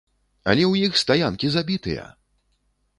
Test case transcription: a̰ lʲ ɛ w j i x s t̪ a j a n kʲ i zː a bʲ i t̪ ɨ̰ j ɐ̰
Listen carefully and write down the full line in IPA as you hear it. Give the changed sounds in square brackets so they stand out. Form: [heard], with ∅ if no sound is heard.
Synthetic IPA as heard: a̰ lʲ ɛ w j i x s t̪ a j a n kʲ i [z] a bʲ i t̪ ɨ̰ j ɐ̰

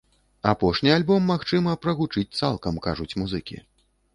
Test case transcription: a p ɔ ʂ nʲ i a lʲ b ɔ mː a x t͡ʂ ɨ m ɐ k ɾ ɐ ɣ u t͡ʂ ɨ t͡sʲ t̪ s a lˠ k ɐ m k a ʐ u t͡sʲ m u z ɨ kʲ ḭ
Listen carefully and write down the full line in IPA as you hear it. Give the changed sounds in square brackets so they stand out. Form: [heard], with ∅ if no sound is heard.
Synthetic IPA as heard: a p ɔ ʂ nʲ i a lʲ b ɔ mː a x t͡ʂ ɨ m ɐ [p] ɾ ɐ ɣ u t͡ʂ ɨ t͡sʲ t̪ s a lˠ k ɐ m k a ʐ u t͡sʲ m u z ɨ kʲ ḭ

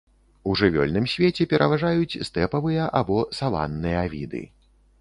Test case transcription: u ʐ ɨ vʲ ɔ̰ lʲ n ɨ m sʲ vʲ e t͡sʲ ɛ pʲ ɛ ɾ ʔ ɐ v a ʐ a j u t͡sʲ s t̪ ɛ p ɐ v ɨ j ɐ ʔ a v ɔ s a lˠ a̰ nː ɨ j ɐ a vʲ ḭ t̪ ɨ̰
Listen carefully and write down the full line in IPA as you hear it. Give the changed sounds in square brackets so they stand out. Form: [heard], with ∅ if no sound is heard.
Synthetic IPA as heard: u ʐ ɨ vʲ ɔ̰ lʲ n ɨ m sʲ vʲ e t͡sʲ ɛ pʲ ɛ ɾ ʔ ɐ v a ʐ a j u t͡sʲ s t̪ ɛ p ɐ v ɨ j ɐ ʔ a [b] ɔ s a lˠ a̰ nː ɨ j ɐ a vʲ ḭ [d̪] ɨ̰

